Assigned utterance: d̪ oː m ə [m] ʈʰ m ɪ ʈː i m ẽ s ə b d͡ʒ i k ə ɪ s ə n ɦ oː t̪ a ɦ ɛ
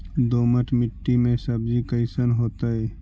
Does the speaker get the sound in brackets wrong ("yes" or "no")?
yes